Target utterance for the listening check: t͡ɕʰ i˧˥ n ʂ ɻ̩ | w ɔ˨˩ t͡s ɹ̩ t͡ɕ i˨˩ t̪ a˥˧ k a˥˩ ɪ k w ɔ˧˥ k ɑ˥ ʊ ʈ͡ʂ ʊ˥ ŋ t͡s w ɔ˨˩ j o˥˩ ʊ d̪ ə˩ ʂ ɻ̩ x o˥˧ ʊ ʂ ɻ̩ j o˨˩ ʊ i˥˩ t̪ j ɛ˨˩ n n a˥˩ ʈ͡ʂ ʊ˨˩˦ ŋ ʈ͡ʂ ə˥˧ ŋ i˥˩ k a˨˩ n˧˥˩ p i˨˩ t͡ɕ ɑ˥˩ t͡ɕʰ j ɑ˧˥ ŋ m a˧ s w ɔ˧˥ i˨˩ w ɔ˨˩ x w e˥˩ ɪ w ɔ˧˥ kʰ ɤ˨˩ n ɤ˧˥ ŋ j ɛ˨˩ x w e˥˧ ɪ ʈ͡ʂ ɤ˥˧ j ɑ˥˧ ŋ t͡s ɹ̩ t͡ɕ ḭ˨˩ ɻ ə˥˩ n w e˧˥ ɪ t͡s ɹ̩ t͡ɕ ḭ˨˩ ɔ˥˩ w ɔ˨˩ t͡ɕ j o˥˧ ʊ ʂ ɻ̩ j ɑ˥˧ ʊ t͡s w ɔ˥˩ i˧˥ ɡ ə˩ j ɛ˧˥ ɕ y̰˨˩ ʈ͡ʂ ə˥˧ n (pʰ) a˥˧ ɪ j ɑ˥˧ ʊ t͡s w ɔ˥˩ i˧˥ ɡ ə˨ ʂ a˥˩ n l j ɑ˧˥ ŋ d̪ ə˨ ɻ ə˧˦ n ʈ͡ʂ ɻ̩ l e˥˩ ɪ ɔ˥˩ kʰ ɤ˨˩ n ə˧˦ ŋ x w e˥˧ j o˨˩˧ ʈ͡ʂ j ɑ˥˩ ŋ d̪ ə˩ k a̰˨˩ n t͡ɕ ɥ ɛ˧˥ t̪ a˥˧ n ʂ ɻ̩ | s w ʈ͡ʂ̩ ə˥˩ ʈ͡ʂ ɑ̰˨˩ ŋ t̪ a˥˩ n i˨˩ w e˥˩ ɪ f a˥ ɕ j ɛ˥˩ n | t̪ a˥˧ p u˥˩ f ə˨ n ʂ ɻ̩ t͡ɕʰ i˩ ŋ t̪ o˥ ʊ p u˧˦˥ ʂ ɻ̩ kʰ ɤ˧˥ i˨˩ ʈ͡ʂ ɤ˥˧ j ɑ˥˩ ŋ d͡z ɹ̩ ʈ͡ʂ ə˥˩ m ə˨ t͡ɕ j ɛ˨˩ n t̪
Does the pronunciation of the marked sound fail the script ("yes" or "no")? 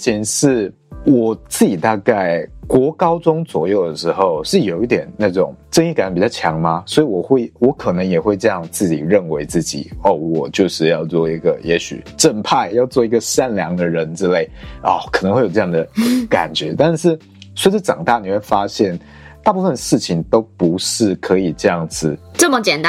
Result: no